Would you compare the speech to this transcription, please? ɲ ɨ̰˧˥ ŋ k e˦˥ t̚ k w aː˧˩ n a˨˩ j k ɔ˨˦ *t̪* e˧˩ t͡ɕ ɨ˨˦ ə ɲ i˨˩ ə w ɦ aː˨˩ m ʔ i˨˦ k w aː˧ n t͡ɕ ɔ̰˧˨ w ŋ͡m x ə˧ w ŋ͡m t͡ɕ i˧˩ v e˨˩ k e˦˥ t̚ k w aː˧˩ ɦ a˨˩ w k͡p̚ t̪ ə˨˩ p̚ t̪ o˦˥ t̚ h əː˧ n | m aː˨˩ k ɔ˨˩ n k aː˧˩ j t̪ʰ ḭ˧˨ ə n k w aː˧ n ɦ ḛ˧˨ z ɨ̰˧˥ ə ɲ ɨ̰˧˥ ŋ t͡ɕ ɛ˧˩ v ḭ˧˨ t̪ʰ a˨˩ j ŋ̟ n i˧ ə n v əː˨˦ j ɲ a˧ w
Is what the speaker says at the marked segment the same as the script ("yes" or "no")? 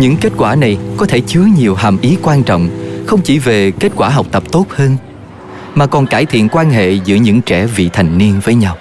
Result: no